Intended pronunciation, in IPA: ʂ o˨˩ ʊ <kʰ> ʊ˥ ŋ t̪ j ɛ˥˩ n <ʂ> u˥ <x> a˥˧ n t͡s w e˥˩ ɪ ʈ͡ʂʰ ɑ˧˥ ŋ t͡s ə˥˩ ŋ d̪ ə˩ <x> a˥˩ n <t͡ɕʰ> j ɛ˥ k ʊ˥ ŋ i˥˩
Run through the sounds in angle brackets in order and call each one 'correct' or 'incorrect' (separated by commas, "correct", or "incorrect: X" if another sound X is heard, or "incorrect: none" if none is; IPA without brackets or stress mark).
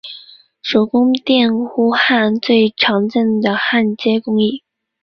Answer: incorrect: k, incorrect: x, correct, correct, incorrect: t͡ɕ